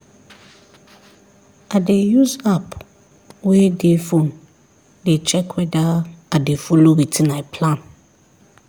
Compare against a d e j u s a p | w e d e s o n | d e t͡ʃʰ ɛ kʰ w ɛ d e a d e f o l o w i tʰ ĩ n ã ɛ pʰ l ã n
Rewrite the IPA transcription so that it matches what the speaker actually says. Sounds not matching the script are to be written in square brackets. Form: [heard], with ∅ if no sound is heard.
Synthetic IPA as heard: a d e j u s a p | w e d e [f] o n | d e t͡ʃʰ ɛ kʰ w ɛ d [a] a d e f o l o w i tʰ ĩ n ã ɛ pʰ l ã n